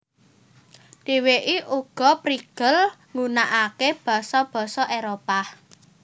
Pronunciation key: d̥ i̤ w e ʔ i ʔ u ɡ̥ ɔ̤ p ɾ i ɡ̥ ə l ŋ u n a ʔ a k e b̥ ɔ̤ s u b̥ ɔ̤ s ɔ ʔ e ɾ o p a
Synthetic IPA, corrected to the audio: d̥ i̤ w e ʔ i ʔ u ɡ̥ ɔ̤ p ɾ i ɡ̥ ə l ŋ u n a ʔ a k e b̥ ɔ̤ s ɔ b̥ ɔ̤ s ɔ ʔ e ɾ o p a